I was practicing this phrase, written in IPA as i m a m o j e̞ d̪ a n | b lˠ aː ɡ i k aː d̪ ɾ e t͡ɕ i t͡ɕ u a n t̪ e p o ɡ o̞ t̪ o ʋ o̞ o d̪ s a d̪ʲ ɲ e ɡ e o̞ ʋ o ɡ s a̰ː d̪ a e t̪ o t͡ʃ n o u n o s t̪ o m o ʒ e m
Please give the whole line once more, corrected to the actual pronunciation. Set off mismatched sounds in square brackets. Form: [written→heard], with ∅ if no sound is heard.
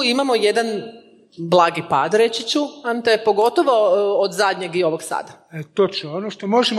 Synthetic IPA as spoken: i m a m o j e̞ d̪ a n | b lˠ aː ɡ i [k→p] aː d̪ ɾ e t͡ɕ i t͡ɕ u a n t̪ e p o ɡ o̞ t̪ o ʋ o̞ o d̪ [s→z] a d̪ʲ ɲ e ɡ [e→i] o̞ ʋ o ɡ s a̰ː d̪ a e t̪ o t͡ʃ n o [u→o] n o [s→ʃ] t̪ o m o ʒ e m